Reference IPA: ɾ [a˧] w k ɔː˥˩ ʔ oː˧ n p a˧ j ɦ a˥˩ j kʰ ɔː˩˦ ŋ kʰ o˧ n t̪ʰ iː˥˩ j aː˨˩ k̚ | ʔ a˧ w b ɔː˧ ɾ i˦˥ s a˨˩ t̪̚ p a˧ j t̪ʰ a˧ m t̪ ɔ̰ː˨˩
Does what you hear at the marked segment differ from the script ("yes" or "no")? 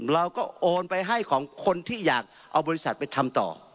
no